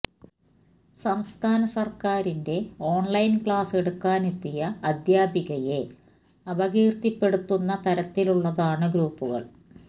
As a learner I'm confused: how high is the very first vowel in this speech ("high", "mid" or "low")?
low